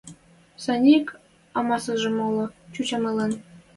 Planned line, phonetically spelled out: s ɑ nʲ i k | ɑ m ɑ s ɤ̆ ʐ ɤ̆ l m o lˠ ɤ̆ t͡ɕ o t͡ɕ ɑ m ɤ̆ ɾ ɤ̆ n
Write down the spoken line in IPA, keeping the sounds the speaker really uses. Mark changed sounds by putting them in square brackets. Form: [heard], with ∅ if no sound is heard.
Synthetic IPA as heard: s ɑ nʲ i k | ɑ m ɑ s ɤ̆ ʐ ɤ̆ [∅] m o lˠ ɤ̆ t͡ɕ [u] t͡ɕ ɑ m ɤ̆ [l] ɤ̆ n